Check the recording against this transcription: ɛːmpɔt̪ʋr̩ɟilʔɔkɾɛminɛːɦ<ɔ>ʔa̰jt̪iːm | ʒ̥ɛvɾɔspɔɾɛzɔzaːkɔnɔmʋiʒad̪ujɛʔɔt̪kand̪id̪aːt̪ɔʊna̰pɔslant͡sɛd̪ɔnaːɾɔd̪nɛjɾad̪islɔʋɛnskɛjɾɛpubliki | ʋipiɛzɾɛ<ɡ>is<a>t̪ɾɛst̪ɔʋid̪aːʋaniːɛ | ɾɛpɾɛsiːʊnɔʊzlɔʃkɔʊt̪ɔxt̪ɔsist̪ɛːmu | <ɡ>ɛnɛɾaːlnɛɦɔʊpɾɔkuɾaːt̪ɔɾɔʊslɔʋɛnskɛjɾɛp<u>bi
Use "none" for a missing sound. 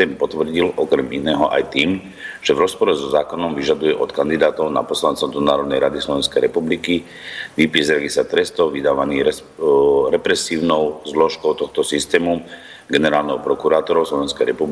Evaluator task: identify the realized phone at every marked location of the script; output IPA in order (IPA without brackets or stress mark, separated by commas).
ɔ, ɡ, a, ɡ, u